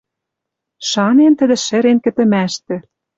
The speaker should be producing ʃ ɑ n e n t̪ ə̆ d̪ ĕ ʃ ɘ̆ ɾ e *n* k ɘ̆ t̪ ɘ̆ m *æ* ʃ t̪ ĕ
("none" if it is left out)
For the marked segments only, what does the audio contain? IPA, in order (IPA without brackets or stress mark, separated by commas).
n, æ